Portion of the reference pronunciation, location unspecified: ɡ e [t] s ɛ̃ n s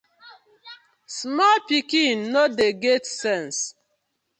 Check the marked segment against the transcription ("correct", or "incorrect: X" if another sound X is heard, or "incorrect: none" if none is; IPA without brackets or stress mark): correct